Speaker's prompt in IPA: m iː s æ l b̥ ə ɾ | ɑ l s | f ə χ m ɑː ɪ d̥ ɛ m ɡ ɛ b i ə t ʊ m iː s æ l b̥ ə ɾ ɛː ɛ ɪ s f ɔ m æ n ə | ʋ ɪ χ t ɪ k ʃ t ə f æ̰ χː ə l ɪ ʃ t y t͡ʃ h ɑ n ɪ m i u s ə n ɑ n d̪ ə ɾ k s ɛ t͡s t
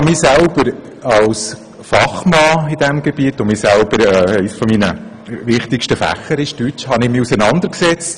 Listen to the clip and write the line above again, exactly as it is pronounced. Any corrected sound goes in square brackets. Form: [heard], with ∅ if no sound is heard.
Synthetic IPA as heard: m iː s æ l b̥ ə ɾ | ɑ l s | f [ɑ] χ m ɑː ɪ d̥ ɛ m ɡ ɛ b i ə t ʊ m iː s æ l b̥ ə ɾ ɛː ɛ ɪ s f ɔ m [i] n ə | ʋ ɪ χ t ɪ k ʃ t ə f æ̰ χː ə [ɾ] ɪ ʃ t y t͡ʃ h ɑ n ɪ m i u s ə n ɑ n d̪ ə ɾ k s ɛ t͡s t